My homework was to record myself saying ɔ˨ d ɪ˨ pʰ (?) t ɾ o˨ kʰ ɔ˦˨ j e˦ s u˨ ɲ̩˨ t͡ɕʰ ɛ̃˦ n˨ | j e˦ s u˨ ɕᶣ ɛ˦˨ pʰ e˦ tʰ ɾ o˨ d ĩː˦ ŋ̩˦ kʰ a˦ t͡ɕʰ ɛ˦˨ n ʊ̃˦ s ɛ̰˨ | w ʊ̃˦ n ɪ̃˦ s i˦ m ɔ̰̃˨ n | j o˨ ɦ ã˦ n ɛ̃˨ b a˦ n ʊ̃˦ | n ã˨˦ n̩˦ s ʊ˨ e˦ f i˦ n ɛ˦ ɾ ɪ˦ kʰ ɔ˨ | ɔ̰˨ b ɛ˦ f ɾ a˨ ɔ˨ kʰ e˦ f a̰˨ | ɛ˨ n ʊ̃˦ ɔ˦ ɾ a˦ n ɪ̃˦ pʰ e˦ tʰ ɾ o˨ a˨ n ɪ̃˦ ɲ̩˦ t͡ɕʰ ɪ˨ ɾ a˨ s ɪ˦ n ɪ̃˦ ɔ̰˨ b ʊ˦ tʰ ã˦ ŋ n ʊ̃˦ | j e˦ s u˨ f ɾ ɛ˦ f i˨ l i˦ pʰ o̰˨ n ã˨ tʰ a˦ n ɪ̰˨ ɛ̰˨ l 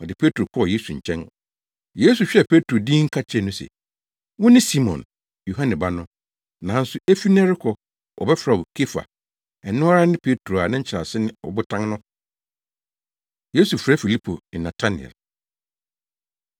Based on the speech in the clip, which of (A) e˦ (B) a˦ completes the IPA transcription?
A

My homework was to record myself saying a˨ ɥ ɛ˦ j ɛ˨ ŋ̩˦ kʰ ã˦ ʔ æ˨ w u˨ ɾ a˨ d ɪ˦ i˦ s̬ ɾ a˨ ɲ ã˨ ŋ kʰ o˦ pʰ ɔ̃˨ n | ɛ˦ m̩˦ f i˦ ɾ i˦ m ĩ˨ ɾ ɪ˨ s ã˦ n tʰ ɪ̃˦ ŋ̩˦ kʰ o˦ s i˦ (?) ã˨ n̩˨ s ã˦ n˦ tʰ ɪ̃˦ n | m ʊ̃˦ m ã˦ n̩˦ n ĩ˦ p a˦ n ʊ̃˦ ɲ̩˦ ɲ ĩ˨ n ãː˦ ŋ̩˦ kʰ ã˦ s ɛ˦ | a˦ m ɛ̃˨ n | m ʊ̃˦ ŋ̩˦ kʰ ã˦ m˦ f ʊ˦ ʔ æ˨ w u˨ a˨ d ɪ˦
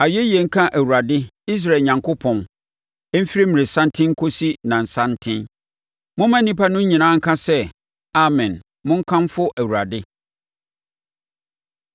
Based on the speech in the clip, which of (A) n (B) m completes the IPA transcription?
A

